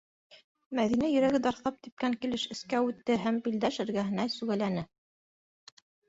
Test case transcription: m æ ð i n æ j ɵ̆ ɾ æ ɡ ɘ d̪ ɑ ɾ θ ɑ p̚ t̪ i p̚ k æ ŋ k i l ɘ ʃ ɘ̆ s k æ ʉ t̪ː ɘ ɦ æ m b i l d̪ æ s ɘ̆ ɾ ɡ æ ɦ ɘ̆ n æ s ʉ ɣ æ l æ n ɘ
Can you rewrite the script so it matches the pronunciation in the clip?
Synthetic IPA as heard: m æ ð i n æ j ɵ̆ ɾ æ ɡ ɘ d̪ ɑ ɾ θ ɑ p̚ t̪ i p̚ k æ ŋ k i l ɘ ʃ ɘ̆ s k æ ʉ t̪ː ɘ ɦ æ m b i l d̪ æ ʃ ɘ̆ ɾ ɡ æ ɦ ɘ̆ n æ s ʉ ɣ æ l æ n ɘ